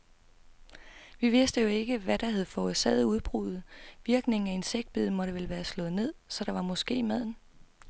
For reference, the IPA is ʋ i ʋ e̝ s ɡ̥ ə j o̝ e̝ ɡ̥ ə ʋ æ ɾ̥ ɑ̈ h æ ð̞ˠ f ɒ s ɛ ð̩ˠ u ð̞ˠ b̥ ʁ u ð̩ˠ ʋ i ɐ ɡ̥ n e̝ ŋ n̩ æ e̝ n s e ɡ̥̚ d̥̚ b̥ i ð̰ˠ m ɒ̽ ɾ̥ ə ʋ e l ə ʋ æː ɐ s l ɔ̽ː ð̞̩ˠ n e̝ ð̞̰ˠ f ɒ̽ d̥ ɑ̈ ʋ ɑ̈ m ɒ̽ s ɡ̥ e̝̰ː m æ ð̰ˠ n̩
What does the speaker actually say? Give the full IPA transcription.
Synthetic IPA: ʋ i ʋ e̝ s d̥ ə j o̝ e̝ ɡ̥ ə ʋ æ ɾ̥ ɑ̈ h æ ð̞ˠ f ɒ s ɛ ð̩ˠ u ð̞ˠ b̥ ʁ u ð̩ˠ ʋ i ɐ ɡ̥ n e̝ ŋ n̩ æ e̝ n s e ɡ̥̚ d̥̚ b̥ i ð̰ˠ m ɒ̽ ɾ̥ ə ʋ e l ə ʋ æː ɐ s l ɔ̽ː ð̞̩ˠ n e̝ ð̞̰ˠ s ɒ̽ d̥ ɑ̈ ʋ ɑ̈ m ɒ̽ s ɡ̥ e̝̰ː m æ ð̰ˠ n̩